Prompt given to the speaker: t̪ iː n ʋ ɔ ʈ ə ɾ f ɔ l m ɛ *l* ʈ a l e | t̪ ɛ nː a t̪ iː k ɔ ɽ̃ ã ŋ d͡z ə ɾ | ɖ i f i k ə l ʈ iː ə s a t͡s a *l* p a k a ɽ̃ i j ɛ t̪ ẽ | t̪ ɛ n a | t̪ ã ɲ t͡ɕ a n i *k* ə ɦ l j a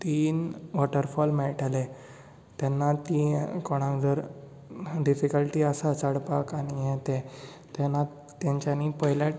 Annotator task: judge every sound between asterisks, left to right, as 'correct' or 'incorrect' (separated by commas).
incorrect, incorrect, incorrect